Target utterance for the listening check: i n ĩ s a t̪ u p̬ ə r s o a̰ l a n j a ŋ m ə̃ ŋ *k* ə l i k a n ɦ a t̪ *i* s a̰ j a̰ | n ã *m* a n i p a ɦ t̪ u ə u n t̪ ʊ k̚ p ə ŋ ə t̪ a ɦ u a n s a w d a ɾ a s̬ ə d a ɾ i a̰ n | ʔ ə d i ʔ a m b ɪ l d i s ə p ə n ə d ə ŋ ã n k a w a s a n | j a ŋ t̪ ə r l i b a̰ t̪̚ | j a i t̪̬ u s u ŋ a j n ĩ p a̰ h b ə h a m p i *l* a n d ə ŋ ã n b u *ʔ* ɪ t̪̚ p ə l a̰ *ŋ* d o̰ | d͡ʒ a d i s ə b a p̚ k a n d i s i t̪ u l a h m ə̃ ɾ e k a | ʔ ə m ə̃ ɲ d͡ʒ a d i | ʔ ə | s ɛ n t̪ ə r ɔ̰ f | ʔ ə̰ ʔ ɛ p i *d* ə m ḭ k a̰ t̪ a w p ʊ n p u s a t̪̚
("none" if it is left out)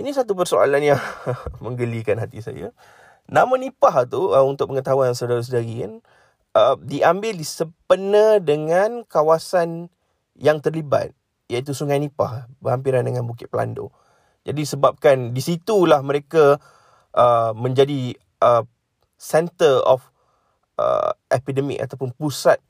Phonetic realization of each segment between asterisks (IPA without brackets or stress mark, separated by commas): ɡ, i, m, ɾ, k, n, d